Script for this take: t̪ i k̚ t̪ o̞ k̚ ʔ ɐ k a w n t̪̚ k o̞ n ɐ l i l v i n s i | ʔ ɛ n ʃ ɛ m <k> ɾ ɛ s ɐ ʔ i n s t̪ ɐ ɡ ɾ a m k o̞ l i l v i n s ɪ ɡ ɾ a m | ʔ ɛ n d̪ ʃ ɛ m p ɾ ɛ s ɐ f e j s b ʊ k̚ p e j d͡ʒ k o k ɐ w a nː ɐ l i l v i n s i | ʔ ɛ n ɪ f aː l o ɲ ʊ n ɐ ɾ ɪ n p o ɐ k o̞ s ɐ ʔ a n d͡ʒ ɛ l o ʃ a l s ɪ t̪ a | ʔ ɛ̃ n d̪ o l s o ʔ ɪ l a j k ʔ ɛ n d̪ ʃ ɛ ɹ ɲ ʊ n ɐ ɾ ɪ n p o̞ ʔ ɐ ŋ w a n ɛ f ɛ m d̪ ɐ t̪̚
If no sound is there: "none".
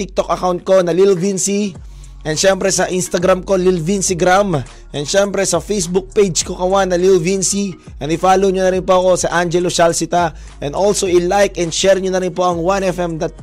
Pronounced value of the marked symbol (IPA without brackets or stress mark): p